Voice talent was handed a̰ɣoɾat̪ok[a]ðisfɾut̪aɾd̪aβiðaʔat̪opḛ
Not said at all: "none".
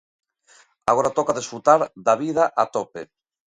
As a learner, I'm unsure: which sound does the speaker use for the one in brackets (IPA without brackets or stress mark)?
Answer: a